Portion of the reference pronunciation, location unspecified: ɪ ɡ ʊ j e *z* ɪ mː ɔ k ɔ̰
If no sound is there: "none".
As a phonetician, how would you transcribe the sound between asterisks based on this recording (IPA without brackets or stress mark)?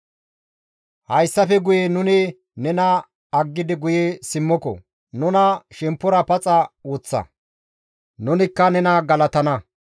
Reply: s